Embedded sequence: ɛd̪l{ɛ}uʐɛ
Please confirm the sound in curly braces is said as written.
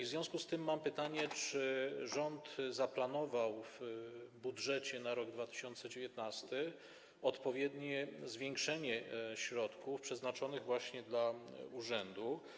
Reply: no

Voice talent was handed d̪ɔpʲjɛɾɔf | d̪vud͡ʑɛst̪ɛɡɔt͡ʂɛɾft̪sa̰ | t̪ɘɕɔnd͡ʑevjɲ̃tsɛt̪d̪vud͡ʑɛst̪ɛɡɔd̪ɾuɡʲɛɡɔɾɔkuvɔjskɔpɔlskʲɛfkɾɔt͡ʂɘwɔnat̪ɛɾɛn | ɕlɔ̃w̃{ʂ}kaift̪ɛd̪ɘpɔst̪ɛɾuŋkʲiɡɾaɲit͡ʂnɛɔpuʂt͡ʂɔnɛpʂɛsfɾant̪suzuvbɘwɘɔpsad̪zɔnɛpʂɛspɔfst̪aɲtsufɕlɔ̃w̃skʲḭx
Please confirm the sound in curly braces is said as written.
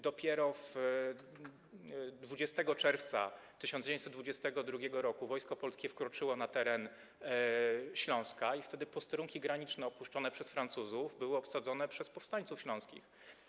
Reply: no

